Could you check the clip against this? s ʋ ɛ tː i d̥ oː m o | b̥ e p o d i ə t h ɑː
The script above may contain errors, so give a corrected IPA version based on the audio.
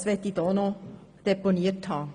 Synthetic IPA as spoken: s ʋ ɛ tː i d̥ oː n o | d̥ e p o n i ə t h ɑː